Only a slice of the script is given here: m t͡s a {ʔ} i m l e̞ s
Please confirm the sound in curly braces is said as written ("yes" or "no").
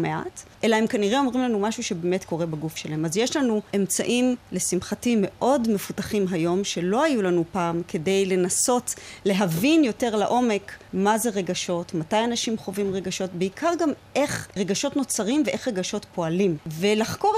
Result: yes